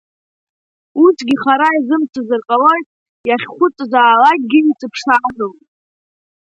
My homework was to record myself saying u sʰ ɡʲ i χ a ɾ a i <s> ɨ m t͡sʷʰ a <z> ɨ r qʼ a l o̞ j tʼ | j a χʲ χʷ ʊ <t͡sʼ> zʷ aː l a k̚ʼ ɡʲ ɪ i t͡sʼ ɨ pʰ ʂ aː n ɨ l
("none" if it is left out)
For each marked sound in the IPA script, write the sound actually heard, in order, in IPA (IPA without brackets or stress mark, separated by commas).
z, z, t͡sʼ